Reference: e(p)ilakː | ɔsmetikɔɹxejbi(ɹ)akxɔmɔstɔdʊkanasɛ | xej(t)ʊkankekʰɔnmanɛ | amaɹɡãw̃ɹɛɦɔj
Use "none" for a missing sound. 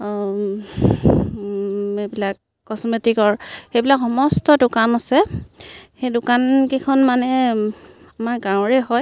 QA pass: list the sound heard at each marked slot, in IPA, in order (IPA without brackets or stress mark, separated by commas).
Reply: b, l, d